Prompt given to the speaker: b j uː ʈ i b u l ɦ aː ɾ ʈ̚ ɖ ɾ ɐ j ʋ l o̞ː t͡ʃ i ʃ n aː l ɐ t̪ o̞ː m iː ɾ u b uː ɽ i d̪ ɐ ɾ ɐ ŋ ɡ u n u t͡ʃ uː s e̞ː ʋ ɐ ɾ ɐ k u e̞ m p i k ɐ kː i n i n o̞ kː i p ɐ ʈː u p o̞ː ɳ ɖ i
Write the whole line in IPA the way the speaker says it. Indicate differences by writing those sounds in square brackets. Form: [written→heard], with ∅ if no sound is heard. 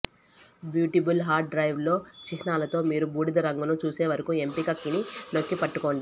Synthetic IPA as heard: b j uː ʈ i b u l ɦ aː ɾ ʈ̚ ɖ ɾ ɐ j ʋ l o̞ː t͡ʃ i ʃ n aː l ɐ t̪ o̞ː m iː ɾ u b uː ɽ i d̪ ɐ ɾ ɐ ŋ ɡ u n u t͡ʃ uː s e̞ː ʋ ɐ ɾ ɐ k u e̞ m p i k ɐ kː i n i n o̞ kː i p ɐ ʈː u [p→k] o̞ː ɳ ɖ i